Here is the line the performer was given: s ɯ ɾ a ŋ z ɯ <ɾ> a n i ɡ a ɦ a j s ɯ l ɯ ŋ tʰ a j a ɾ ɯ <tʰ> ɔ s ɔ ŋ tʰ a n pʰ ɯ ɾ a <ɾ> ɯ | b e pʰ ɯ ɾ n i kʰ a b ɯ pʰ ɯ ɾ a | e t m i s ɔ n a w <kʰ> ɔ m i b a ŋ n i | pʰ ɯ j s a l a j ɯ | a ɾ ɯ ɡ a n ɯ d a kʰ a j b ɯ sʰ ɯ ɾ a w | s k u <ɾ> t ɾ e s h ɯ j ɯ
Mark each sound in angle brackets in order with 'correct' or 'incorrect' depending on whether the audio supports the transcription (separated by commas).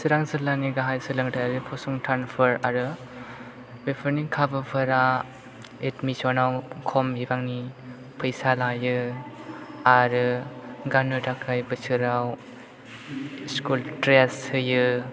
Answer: incorrect, incorrect, correct, correct, incorrect